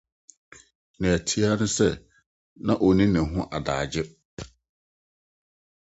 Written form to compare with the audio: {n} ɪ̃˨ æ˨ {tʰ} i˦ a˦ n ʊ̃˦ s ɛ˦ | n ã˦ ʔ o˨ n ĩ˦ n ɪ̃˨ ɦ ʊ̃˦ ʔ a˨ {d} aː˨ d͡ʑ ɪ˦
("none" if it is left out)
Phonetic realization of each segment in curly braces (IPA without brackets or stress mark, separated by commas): n, tʰ, d